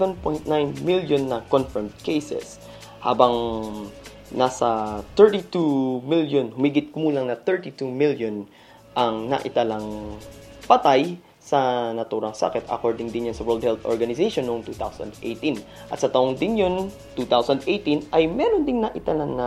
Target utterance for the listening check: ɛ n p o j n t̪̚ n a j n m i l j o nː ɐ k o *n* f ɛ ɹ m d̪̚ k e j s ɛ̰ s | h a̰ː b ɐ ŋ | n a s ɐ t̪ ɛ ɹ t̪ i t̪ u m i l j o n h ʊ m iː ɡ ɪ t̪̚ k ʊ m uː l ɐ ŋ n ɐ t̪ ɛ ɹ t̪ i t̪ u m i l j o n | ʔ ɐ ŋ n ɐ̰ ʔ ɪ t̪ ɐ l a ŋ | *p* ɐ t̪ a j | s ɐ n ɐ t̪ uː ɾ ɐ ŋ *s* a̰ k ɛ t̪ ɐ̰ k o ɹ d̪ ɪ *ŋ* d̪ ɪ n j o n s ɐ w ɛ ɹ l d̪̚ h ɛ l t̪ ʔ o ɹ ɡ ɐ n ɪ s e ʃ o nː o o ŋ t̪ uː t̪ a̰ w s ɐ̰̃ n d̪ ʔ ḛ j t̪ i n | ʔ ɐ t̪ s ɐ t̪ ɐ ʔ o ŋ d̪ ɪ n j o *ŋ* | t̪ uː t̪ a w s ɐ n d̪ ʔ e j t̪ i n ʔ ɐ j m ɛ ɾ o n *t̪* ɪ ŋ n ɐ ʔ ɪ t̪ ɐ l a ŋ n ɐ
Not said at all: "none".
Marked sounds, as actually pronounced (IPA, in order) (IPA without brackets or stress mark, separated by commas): n, p, s, ŋ, n, d̪